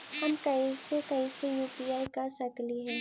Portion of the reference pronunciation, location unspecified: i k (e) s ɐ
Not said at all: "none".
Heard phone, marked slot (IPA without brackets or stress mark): a